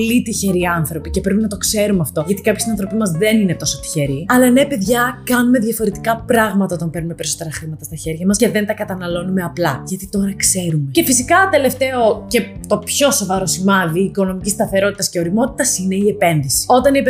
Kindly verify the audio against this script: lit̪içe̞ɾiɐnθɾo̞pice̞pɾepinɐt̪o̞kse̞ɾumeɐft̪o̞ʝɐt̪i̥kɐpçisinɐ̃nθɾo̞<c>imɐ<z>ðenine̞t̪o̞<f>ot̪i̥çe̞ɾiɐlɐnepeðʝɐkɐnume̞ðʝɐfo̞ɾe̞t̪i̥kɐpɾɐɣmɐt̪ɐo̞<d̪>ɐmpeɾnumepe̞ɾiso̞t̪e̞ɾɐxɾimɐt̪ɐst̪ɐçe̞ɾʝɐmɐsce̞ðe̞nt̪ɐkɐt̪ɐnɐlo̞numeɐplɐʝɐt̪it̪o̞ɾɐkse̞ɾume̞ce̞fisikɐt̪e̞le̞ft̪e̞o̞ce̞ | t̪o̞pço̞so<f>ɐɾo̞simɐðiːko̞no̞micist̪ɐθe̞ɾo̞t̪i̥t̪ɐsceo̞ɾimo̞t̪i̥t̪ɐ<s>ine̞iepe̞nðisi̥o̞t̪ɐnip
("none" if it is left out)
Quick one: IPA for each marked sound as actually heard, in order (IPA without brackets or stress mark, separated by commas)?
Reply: p, z, s, t̪, v, s